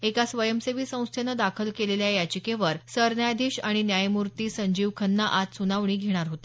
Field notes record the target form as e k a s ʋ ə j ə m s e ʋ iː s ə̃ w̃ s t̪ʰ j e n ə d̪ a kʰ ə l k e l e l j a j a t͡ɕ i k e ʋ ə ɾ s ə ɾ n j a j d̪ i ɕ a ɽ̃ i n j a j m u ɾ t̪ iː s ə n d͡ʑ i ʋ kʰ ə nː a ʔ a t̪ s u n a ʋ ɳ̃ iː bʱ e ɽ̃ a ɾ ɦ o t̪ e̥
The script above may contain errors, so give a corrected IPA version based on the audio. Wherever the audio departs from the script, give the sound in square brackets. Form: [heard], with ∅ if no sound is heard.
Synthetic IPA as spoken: e k a s ʋ ə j ə m s e ʋ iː s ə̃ w̃ s t̪ʰ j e n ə d̪ a kʰ ə l k e l e l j a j a t͡ɕ i k e ʋ ə ɾ s ə ɾ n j a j d̪ i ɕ a ɽ̃ i n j a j m u ɾ t̪ iː s ə [ɲ] d͡ʑ i ʋ kʰ ə nː a ʔ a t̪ s u n a ʋ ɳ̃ iː [ɡʱ] e ɽ̃ a ɾ ɦ o t̪ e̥